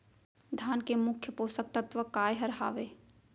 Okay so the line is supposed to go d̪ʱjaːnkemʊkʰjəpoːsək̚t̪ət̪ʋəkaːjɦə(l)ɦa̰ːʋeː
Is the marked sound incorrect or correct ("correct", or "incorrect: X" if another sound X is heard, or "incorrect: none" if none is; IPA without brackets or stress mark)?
incorrect: ɾ